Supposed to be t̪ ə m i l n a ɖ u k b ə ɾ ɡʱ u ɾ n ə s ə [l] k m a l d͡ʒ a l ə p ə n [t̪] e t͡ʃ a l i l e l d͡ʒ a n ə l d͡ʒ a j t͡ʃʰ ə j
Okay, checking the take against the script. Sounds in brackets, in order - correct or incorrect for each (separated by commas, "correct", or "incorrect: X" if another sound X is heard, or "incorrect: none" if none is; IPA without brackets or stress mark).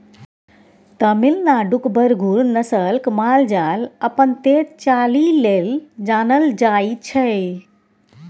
correct, correct